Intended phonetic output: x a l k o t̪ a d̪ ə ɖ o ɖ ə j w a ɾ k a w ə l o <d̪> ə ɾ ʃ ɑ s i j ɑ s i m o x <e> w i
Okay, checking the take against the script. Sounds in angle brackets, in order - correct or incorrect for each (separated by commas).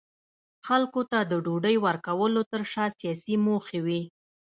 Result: incorrect, correct